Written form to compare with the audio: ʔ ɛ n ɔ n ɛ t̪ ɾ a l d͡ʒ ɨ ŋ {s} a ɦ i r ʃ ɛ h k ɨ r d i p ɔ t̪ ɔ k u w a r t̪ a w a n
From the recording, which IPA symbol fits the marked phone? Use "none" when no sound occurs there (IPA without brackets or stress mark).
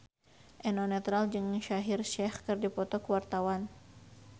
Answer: ʃ